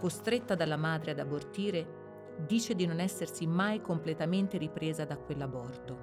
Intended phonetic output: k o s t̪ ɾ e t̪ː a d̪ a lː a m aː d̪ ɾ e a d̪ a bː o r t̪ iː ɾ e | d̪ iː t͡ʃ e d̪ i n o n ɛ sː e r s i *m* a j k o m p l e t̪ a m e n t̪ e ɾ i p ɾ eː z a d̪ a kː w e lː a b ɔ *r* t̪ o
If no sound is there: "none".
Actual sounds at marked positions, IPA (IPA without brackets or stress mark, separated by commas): m, r